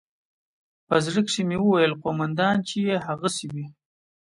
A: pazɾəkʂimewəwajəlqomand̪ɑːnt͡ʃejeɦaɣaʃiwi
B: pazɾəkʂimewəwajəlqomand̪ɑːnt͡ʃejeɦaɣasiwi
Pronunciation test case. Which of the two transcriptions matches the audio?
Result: B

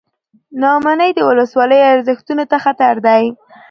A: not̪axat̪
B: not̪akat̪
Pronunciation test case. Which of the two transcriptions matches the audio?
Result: A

